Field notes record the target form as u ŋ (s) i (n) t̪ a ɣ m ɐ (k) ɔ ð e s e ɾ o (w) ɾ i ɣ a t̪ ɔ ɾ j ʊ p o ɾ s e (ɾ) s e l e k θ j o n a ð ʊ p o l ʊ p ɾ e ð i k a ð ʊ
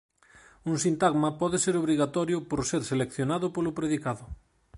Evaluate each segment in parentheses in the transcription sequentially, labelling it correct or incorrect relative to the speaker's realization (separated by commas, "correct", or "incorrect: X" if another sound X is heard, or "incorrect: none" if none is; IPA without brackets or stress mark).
correct, correct, incorrect: p, incorrect: β, correct